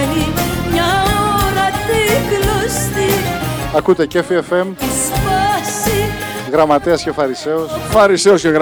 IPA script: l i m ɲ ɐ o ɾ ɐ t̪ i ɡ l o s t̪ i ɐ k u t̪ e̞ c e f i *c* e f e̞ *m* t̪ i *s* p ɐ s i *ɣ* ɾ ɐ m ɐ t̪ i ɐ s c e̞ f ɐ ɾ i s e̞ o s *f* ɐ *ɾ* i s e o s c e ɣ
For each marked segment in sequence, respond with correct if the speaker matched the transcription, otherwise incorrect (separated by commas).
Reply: incorrect, correct, correct, correct, correct, correct